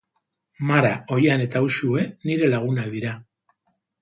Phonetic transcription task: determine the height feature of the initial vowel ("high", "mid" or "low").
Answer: low